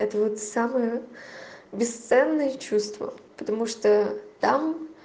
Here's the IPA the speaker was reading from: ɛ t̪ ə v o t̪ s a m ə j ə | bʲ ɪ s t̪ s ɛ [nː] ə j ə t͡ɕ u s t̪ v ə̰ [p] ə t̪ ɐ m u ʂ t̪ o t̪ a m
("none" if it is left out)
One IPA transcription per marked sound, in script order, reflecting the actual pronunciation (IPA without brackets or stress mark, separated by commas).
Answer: nː, p